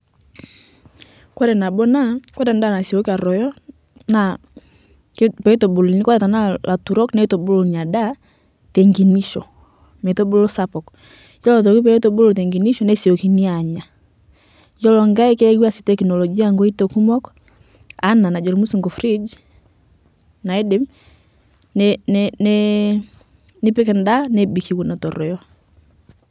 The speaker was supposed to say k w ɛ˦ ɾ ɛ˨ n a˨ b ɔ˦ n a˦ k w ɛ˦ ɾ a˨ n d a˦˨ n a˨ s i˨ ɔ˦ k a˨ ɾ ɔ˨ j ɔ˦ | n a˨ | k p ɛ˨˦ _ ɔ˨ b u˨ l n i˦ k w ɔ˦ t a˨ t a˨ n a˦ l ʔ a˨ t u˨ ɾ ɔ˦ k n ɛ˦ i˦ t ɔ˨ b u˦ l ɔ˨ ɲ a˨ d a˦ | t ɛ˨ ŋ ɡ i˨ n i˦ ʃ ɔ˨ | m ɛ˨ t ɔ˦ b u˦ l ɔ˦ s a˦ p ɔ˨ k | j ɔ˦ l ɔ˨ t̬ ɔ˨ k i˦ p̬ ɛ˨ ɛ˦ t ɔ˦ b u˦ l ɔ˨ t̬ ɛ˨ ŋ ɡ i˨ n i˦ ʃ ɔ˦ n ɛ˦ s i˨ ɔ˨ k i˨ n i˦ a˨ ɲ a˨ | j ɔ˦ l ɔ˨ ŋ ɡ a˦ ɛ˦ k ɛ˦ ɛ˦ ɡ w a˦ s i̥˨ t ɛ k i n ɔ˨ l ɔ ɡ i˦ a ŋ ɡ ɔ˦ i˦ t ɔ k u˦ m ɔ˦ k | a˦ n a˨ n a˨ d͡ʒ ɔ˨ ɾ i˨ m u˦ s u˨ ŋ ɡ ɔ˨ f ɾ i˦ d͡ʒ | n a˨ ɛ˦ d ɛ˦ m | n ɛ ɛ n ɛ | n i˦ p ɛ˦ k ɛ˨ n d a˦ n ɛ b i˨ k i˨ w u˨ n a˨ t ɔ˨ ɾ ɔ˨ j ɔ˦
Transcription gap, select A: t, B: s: A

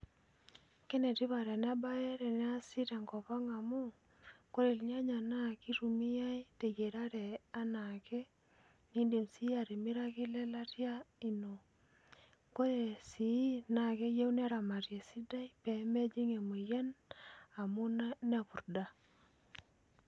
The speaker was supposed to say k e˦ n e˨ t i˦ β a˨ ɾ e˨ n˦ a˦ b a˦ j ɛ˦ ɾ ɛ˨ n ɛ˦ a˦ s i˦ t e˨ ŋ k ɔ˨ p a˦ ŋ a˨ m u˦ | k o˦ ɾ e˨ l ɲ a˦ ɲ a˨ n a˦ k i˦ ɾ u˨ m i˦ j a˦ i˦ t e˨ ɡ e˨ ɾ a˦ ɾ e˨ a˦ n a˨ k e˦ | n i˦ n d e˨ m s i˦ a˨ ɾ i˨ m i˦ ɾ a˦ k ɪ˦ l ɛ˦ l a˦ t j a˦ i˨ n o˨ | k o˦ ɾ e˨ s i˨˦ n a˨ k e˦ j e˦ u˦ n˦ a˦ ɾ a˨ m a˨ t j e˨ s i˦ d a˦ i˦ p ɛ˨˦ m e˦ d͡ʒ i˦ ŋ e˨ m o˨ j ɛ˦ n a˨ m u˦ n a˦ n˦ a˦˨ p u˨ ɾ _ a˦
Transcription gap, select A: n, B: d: B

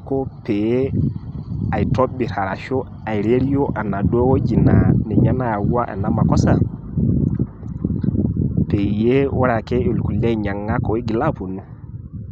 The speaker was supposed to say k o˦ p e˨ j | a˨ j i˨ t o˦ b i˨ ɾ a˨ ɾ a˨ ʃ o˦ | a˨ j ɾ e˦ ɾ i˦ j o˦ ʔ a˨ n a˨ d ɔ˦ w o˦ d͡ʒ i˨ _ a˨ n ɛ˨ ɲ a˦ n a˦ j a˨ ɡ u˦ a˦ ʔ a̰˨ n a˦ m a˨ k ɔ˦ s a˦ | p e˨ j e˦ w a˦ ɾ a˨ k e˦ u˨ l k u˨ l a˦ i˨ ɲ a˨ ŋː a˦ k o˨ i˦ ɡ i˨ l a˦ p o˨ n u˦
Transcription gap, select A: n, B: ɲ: A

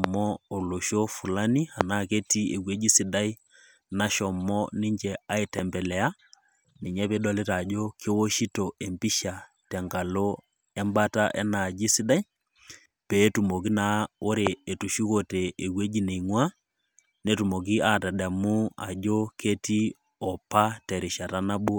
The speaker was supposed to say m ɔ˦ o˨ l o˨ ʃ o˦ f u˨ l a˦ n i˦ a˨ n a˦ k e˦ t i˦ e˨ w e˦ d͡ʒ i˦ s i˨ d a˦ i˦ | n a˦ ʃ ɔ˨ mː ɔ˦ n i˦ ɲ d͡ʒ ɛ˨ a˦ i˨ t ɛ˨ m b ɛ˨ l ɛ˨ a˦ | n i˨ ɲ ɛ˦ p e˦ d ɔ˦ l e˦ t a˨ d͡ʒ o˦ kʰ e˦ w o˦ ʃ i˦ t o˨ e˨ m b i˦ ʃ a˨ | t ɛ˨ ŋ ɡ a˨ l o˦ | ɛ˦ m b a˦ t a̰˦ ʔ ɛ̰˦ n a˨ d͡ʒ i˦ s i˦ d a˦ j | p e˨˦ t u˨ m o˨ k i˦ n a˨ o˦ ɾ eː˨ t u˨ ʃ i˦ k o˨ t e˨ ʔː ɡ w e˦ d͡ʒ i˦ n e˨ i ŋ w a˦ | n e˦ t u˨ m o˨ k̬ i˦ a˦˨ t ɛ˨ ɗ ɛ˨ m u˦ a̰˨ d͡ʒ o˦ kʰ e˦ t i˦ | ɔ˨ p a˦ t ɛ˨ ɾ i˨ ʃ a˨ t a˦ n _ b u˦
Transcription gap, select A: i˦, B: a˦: B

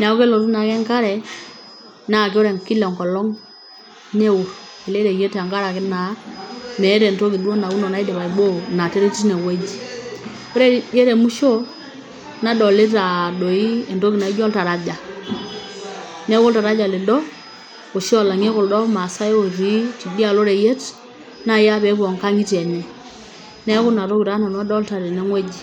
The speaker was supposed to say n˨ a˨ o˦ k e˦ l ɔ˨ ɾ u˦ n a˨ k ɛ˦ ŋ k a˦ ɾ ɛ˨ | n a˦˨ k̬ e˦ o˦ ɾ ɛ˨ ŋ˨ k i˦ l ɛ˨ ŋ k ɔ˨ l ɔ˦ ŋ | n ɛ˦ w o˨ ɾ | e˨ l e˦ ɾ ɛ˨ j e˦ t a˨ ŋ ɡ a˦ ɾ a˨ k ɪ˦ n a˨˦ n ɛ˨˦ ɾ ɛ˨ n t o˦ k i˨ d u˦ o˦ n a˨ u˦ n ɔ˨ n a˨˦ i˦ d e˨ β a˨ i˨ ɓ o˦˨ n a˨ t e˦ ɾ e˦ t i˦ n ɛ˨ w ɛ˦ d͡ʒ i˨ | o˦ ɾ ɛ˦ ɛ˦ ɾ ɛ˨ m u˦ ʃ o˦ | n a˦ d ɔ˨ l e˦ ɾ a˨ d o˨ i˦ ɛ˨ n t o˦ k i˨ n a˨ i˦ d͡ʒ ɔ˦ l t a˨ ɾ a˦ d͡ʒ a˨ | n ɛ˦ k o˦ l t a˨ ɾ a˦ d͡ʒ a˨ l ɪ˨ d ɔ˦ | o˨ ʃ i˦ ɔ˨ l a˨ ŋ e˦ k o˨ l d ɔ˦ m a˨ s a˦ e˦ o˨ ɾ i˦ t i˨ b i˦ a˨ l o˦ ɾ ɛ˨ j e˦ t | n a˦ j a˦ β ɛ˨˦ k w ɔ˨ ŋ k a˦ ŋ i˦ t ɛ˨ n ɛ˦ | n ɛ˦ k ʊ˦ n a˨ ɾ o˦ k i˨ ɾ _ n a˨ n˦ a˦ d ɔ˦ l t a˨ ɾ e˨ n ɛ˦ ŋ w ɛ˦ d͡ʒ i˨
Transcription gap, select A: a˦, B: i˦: A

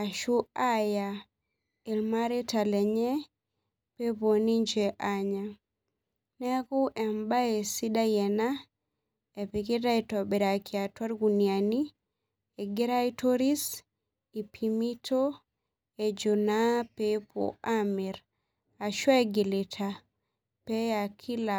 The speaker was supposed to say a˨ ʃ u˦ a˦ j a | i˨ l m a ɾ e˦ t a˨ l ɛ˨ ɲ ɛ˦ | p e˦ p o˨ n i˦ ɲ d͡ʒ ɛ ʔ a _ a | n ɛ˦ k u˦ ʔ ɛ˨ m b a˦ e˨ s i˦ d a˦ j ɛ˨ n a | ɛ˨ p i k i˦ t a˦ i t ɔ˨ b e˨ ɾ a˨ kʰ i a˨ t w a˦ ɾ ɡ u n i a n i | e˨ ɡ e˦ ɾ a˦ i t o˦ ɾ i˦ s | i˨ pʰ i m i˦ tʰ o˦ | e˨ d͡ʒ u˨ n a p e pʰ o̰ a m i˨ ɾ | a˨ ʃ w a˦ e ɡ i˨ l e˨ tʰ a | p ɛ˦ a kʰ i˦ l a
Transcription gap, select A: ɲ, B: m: A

